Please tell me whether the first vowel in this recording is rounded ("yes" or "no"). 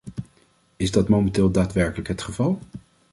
no